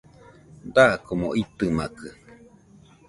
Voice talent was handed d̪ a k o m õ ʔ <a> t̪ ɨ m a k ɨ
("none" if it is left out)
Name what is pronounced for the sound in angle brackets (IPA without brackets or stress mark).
i